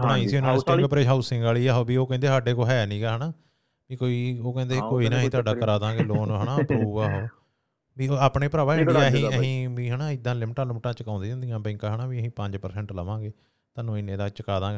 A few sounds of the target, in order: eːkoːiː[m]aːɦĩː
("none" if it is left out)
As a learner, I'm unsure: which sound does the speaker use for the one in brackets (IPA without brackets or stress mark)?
n